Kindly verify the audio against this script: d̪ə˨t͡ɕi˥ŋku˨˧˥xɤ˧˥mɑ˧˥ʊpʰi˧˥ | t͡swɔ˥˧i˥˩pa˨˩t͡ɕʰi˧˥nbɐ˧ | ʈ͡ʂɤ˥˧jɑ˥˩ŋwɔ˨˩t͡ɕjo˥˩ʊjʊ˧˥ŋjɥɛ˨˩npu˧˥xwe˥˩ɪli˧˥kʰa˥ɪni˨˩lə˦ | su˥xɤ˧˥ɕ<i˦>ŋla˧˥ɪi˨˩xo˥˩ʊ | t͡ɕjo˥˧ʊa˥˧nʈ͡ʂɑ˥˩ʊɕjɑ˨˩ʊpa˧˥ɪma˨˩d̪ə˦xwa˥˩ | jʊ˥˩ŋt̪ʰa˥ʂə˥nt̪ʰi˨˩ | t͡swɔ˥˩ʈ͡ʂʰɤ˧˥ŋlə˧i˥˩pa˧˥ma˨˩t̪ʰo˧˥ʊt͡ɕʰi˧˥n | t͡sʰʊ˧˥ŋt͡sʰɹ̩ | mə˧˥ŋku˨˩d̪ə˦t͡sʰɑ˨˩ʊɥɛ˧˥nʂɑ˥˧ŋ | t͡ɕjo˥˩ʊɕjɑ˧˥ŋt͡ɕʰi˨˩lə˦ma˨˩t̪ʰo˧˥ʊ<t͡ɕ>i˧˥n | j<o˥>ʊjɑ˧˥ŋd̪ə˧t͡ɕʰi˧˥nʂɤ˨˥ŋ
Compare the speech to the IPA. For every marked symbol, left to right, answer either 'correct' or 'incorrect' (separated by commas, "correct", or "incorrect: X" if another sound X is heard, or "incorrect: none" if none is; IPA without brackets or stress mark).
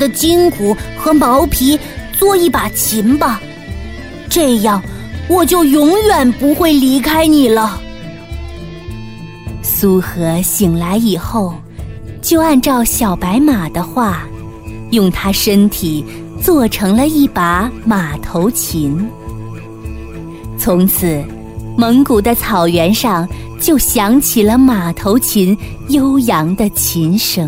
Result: incorrect: i˨˩, incorrect: t͡ɕʰ, correct